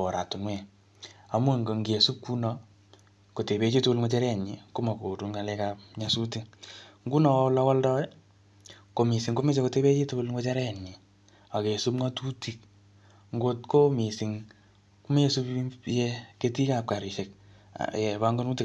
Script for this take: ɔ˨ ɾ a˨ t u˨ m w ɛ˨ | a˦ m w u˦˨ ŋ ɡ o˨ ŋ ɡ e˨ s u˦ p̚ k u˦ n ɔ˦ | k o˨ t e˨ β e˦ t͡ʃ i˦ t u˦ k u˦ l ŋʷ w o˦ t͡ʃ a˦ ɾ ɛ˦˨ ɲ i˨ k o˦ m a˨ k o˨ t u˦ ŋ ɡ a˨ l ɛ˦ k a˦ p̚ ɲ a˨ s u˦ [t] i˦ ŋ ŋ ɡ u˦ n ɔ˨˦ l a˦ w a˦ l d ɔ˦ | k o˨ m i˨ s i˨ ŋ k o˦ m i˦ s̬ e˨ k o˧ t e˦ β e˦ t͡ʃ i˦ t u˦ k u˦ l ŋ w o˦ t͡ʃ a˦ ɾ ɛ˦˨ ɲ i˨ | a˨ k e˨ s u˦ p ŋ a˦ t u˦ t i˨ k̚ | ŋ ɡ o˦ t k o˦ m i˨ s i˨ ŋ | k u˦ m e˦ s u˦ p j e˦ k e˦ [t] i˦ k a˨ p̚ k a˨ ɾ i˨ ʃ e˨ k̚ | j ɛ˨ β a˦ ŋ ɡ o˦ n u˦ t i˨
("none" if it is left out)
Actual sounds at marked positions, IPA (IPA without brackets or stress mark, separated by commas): t, t